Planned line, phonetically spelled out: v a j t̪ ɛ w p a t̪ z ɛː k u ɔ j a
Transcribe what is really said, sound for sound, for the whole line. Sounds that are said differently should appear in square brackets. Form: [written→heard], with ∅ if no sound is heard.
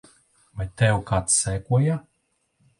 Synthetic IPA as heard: v a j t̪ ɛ w [p→k] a t̪ [z→s] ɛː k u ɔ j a